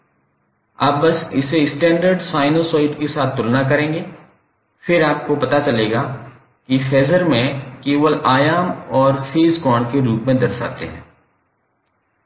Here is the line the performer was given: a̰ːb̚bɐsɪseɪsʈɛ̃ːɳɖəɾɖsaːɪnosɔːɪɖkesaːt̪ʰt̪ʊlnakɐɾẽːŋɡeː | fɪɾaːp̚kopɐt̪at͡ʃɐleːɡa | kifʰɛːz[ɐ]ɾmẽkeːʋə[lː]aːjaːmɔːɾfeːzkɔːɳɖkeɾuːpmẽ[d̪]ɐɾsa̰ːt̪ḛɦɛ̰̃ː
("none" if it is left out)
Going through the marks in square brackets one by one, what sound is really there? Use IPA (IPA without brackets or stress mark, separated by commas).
ə, l, d̪